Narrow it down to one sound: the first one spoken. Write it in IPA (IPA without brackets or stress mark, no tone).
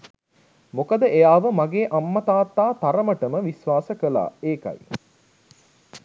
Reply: m